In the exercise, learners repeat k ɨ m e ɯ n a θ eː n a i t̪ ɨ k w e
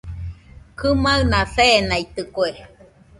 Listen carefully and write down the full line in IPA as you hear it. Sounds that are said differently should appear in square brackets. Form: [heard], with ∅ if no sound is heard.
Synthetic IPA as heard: k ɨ m [a] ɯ n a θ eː n a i t̪ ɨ k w e